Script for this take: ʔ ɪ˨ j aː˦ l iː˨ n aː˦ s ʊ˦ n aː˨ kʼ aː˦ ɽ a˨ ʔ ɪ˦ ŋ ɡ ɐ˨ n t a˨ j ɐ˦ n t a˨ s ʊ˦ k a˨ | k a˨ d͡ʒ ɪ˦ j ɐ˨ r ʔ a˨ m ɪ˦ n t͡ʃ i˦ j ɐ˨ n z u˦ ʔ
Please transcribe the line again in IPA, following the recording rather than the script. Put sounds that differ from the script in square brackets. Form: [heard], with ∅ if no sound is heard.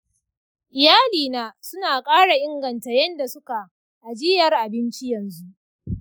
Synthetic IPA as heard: ʔ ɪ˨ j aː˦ l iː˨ n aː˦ s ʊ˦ n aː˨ kʼ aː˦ ɽ a˨ ʔ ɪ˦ ŋ ɡ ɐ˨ n t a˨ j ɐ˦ n [d] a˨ s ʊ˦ k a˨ | [ʔ] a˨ d͡ʒ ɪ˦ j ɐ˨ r ʔ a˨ [b] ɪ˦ n t͡ʃ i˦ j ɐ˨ n z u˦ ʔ